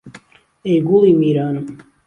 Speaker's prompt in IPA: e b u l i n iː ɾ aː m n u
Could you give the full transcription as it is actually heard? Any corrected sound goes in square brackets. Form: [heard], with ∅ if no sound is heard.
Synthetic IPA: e [ɡ] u l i [m] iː ɾ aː [∅] n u